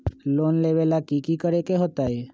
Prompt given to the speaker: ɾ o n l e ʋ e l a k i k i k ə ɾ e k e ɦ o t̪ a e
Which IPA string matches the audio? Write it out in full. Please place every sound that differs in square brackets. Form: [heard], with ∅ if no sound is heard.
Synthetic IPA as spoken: [l] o n l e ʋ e l a k i k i k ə ɾ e k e ɦ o t̪ a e